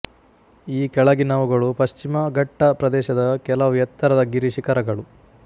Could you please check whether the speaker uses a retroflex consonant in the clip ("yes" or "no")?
yes